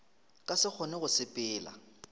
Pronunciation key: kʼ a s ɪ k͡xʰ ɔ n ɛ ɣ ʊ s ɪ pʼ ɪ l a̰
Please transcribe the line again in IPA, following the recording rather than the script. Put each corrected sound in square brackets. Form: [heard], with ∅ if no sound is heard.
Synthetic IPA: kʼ a s ɪ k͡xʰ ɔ n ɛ ɣ ʊ s ɪ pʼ [ɪː] l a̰